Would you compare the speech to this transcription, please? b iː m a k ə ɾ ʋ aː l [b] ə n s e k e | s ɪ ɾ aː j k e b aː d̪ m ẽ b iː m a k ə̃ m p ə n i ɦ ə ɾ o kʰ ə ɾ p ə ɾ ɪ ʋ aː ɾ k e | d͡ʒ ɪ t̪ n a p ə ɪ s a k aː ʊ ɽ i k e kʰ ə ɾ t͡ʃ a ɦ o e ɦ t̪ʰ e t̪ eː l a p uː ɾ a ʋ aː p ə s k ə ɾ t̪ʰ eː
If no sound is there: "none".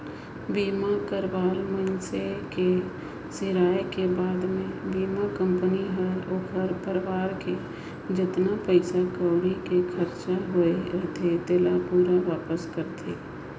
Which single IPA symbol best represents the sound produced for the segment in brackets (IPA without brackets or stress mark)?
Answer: m